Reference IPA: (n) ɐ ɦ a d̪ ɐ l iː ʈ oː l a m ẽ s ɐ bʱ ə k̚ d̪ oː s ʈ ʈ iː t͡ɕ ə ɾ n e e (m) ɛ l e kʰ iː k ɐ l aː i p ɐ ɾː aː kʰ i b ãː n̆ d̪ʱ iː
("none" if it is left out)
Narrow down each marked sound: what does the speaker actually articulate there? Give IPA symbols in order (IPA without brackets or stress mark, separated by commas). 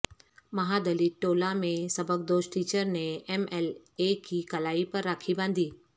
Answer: m, m